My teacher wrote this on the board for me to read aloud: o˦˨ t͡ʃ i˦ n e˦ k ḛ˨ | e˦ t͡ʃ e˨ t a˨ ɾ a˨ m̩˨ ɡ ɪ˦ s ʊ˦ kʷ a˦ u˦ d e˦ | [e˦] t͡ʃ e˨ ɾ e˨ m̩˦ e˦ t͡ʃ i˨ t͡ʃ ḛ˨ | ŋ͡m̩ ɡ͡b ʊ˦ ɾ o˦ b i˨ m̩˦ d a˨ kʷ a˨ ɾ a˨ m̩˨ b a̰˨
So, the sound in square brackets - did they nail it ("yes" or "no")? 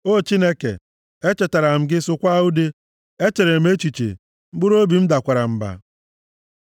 yes